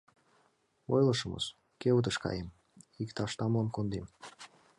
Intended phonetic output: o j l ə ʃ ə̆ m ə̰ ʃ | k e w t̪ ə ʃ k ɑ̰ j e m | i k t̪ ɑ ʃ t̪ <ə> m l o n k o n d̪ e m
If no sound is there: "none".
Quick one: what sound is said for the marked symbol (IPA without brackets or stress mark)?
ɑ